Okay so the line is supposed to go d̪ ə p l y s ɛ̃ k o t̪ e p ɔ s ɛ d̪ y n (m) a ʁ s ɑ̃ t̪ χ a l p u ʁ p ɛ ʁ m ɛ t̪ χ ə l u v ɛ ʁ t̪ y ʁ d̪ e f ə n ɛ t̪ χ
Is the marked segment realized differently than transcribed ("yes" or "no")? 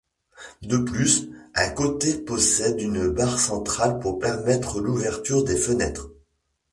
yes